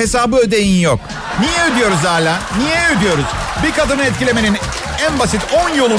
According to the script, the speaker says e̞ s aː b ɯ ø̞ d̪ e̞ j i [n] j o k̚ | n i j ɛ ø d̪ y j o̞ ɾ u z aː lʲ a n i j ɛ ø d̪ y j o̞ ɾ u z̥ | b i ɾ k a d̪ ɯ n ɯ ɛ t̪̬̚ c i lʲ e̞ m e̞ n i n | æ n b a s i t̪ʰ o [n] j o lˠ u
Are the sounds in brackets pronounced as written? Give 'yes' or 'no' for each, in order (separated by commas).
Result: yes, yes